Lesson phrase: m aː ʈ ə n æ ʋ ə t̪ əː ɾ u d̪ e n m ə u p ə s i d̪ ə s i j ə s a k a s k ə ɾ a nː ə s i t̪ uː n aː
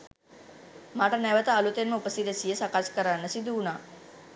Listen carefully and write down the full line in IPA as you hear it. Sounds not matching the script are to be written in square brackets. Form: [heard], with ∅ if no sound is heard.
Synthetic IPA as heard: m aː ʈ ə n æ ʋ ə t̪ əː [l] u [t̪] e n m ə u p ə s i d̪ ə s i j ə s a k a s k ə ɾ a nː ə s i [d̪] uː n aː